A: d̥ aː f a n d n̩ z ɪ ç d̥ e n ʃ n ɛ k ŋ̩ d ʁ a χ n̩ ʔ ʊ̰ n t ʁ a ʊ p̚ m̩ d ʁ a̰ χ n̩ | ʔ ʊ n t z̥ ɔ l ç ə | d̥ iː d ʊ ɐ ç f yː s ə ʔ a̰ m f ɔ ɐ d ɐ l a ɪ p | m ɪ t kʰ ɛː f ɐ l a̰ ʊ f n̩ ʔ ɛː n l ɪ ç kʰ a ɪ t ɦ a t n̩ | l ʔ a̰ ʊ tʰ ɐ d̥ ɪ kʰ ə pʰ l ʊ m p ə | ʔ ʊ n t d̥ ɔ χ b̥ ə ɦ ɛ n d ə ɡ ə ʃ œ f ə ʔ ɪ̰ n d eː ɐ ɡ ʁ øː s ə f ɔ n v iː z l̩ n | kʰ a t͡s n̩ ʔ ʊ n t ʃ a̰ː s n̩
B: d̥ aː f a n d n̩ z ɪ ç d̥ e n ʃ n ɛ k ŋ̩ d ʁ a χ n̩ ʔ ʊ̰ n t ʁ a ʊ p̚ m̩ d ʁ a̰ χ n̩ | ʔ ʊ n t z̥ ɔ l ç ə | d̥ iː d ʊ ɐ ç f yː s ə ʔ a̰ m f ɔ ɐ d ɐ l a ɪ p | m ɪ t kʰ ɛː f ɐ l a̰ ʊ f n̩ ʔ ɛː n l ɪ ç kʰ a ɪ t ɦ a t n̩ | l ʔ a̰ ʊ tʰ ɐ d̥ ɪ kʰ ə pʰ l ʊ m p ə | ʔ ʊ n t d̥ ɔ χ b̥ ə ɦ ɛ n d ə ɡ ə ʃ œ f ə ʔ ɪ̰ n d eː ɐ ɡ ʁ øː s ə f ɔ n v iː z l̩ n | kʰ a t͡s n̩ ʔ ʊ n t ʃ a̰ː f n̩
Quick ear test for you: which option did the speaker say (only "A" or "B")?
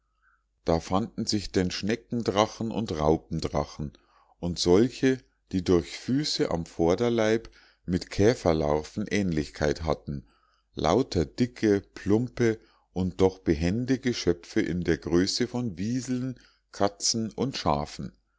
B